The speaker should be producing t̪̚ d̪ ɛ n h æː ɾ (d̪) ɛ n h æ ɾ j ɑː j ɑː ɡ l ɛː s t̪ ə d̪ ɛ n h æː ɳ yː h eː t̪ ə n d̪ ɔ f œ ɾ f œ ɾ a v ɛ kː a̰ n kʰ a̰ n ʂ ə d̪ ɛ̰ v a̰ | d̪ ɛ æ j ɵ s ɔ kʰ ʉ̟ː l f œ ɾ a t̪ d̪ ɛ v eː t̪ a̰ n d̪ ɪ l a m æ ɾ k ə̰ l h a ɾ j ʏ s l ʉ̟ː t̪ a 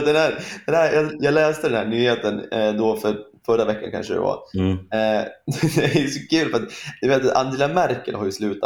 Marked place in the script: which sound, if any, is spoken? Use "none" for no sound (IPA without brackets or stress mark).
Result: d̪